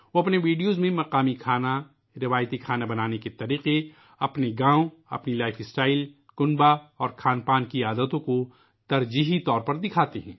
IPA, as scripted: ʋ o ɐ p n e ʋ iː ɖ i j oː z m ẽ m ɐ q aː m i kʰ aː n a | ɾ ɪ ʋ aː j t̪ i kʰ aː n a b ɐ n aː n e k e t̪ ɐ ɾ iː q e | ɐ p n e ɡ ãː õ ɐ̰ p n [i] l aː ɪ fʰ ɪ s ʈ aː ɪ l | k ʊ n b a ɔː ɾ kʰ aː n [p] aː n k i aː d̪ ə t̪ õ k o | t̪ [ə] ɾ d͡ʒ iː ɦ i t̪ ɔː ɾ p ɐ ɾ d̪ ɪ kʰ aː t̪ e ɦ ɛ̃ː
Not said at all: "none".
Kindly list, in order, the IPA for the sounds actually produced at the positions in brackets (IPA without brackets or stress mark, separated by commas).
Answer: i, p, ɐ